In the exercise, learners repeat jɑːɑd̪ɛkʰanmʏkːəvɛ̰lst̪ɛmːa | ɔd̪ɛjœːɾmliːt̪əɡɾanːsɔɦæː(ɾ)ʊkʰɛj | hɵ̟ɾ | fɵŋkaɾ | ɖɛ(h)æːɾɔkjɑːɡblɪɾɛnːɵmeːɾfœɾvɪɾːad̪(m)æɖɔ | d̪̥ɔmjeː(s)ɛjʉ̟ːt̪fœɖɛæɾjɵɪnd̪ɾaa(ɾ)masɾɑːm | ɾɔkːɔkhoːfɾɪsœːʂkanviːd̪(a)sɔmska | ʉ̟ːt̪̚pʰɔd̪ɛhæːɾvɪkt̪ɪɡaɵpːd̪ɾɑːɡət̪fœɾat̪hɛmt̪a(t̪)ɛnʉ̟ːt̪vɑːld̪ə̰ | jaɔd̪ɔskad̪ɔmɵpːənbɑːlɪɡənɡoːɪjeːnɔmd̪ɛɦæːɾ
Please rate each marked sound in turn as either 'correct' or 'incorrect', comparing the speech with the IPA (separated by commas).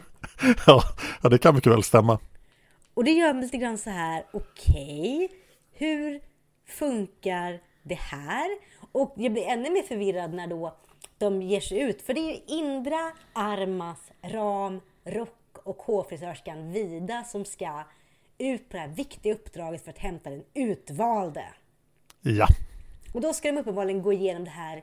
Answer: correct, correct, incorrect, incorrect, correct, correct, incorrect